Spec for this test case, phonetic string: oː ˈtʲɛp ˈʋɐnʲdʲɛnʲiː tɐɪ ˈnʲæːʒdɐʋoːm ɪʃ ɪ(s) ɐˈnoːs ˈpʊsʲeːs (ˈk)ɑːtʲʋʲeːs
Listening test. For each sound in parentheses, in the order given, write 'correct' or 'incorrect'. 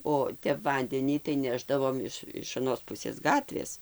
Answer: incorrect: ʃ, incorrect: ɡ

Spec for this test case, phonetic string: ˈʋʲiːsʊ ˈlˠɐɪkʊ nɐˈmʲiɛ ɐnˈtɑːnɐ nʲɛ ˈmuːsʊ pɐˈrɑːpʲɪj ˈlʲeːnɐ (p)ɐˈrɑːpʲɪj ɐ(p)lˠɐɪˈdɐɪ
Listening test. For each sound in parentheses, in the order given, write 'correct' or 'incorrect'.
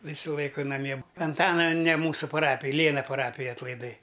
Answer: correct, incorrect: t

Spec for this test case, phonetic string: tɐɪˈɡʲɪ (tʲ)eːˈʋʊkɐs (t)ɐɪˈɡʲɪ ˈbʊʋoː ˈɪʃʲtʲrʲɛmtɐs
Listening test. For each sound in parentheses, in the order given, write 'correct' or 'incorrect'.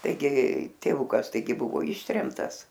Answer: correct, correct

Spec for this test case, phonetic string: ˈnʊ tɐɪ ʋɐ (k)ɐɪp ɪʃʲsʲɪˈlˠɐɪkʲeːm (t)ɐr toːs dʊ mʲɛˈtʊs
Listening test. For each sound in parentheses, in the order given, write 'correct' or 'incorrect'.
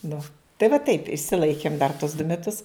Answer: incorrect: t, incorrect: d

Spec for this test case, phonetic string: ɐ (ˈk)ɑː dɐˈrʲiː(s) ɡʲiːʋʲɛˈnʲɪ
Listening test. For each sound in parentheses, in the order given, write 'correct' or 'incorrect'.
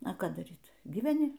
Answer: correct, incorrect: t

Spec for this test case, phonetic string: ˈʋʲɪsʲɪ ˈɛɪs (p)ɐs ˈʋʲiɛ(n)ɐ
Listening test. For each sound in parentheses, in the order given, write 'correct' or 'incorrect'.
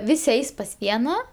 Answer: correct, correct

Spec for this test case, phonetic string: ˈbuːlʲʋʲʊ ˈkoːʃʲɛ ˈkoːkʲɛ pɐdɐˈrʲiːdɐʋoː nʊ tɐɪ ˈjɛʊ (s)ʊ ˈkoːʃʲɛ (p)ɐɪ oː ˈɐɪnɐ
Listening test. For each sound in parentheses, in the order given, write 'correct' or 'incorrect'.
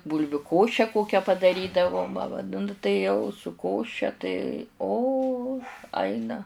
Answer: correct, incorrect: t

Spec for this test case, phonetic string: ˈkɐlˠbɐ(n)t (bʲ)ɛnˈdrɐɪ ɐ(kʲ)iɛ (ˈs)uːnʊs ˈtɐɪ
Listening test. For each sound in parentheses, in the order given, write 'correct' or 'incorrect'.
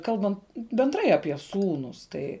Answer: correct, correct, incorrect: pʲ, correct

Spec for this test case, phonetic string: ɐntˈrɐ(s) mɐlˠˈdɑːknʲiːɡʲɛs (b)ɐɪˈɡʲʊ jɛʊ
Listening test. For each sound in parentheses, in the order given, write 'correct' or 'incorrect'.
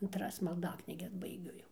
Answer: correct, correct

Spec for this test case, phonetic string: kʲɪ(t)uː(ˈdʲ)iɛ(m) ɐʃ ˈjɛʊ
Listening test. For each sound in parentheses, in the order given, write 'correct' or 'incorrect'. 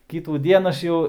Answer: correct, correct, incorrect: n

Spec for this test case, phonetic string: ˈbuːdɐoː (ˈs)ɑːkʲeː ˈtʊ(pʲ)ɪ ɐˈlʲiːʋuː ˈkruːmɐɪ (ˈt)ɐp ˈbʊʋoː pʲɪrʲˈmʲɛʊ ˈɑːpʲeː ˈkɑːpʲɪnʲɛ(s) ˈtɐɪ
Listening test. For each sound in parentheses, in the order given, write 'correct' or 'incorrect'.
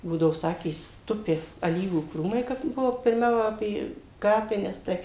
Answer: correct, correct, incorrect: k, correct

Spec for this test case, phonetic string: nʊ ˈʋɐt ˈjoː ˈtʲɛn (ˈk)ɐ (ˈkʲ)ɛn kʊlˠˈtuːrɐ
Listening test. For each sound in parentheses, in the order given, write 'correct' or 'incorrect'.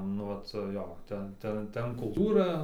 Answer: incorrect: t, incorrect: tʲ

